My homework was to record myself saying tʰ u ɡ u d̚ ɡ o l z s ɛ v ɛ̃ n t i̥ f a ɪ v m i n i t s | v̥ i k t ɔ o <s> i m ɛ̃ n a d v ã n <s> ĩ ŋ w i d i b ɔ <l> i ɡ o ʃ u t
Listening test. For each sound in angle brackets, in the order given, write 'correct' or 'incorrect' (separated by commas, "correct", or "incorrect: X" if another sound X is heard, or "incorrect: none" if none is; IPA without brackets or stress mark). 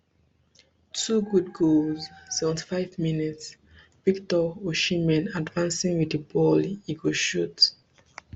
incorrect: ʃ, correct, correct